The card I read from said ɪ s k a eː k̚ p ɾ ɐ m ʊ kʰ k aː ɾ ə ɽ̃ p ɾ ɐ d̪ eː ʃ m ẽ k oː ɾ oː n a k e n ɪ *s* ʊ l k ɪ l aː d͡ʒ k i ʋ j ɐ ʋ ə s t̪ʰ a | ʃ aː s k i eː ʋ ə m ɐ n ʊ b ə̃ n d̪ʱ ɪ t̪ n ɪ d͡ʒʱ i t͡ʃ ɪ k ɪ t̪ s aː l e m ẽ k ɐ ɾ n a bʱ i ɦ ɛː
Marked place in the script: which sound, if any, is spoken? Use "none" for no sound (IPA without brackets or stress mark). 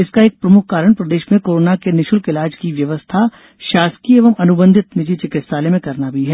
ʃ